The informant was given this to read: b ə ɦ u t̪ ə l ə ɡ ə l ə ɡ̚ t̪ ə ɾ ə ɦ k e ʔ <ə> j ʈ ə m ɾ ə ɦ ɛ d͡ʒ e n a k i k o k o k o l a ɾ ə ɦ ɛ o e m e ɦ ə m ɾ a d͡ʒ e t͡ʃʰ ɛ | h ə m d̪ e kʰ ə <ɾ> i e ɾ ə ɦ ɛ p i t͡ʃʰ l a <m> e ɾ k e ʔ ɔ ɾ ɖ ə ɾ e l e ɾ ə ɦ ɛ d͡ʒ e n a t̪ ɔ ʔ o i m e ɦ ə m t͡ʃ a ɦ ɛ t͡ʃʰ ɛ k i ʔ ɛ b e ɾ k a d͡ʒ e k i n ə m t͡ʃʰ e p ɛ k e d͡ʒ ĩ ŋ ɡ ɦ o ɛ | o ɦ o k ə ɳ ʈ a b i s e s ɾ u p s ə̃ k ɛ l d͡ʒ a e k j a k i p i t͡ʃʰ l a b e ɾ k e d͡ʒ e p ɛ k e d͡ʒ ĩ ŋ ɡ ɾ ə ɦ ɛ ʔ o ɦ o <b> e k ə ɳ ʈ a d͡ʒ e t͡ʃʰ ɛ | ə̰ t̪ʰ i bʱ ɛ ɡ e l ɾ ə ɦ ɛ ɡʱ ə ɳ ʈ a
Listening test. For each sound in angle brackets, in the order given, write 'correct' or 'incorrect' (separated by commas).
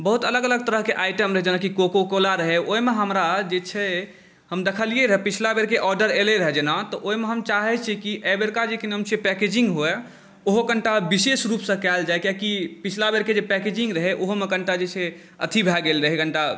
incorrect, incorrect, incorrect, incorrect